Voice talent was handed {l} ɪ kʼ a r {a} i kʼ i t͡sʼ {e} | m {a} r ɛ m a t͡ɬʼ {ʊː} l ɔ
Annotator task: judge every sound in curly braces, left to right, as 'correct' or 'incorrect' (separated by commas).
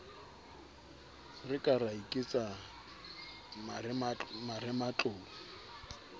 incorrect, correct, incorrect, correct, correct